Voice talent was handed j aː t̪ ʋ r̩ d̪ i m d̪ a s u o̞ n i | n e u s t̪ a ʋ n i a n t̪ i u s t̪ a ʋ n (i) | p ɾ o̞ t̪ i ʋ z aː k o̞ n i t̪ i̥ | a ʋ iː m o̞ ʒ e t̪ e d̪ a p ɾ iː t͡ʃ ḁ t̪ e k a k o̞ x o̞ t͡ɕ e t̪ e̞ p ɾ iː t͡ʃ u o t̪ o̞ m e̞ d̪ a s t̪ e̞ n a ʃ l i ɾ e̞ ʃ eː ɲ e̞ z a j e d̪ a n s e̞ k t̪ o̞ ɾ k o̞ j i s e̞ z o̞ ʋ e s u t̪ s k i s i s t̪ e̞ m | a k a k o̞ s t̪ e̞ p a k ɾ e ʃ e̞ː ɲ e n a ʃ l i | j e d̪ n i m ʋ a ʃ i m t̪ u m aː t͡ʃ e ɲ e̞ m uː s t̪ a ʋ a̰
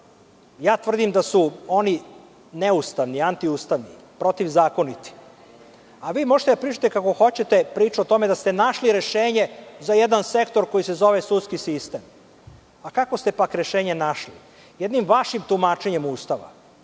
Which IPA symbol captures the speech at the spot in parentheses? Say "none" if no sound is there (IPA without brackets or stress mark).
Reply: i